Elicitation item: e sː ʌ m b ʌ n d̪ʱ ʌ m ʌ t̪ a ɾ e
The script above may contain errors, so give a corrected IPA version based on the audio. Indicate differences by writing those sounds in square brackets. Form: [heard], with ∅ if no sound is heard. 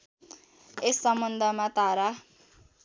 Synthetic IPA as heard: e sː ʌ m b ʌ n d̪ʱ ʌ m [a] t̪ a ɾ [a]